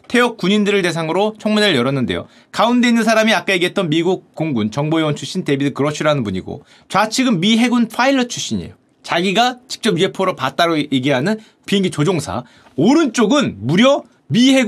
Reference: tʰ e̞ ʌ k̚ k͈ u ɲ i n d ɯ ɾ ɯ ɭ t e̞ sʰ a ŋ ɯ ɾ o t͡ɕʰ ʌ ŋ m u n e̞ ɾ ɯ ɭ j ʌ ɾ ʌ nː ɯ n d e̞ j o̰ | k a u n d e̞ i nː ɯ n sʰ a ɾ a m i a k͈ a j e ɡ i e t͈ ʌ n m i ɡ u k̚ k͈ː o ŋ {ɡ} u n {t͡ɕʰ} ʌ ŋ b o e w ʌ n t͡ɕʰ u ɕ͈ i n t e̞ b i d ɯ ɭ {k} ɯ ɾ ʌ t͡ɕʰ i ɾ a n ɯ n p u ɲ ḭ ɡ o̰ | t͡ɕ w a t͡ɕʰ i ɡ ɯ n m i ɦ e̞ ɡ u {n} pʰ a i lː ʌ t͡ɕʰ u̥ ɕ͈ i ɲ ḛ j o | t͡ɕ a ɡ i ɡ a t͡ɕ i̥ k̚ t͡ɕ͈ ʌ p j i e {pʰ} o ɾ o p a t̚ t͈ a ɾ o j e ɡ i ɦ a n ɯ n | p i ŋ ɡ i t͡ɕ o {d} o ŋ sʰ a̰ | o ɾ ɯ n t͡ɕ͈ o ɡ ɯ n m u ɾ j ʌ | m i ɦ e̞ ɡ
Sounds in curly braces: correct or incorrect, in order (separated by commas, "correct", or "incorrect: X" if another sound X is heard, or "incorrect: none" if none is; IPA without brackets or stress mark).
correct, incorrect: t͡ɕ, correct, correct, correct, incorrect: d͡ʑ